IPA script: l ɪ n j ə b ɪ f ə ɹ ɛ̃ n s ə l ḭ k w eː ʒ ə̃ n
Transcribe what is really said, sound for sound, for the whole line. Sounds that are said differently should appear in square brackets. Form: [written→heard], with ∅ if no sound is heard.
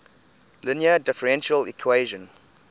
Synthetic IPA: l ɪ n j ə [b→d] ɪ f ə ɹ ɛ̃ n [s→ʃ] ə l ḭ [k→kʰ] w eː ʒ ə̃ n